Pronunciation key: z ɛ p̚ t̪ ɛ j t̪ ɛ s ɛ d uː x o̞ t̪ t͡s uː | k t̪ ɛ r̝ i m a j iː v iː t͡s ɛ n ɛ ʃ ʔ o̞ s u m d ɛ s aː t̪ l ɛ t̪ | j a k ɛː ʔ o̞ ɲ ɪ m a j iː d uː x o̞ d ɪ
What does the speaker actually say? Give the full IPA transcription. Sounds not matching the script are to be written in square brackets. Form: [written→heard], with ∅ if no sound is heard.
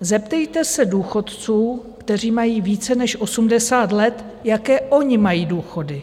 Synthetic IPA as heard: z ɛ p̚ t̪ ɛ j t̪ ɛ s ɛ d uː x o̞ t̪ t͡s uː | k t̪ ɛ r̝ [i→iː] m a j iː v iː t͡s ɛ n ɛ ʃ ʔ o̞ s u m d ɛ s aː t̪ l ɛ t̪ | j a k ɛː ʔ o̞ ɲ ɪ m a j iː d uː x o̞ d ɪ

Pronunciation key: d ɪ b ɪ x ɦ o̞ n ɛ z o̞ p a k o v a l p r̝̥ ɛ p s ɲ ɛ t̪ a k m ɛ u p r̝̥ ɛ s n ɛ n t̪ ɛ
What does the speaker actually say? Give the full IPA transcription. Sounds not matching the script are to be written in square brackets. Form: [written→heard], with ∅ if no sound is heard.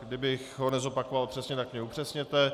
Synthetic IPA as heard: d ɪ b ɪ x ɦ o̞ n ɛ z o̞ p a k o v a l p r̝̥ ɛ [p→∅] s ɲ ɛ t̪ a k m ɛ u p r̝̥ ɛ s [n→ɲ] ɛ [n→∅] t̪ ɛ

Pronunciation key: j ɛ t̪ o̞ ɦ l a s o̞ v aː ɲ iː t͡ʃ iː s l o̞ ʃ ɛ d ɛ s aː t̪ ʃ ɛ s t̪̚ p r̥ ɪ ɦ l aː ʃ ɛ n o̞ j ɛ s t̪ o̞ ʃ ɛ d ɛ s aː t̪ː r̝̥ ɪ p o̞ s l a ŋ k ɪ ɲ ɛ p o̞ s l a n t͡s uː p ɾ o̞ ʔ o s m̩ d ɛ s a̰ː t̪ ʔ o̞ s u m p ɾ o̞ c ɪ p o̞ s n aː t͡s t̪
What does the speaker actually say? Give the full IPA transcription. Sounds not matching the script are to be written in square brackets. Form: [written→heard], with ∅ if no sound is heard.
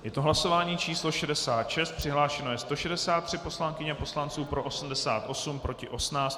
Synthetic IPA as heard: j ɛ t̪ o̞ ɦ l a s o̞ v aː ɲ iː t͡ʃ iː s l o̞ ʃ ɛ d ɛ s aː t̪ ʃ ɛ s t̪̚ p r̥ ɪ ɦ l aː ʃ ɛ n o̞ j ɛ s t̪ o̞ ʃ ɛ d ɛ s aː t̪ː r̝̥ ɪ p o̞ s l a ŋ k ɪ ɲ ɛ p o̞ s l a n t͡s uː p ɾ o̞ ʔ o s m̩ d ɛ s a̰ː t̪ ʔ o̞ s u m p ɾ o̞ c ɪ [p→ʔ] o̞ s n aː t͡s t̪

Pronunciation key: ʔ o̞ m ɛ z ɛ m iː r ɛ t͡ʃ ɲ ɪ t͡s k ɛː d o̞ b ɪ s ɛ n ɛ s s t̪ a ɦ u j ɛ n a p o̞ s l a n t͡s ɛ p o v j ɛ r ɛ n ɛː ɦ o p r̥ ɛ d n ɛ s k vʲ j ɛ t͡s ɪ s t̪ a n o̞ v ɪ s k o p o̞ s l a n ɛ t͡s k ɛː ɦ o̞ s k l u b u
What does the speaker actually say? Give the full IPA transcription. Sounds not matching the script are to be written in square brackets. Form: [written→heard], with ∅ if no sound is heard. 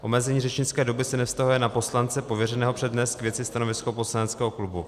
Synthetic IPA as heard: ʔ o̞ m ɛ z ɛ [m→ɲ] iː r ɛ t͡ʃ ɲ ɪ t͡s k ɛː d o̞ b ɪ s ɛ n ɛ [s→f] s t̪ a ɦ u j ɛ n a p o̞ s l a n t͡s ɛ p o v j ɛ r ɛ n ɛː ɦ o p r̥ ɛ d n ɛ s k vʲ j ɛ t͡s ɪ s t̪ a n o̞ v ɪ s k o p o̞ s l a n ɛ t͡s k ɛː ɦ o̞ [s→∅] k l u b u

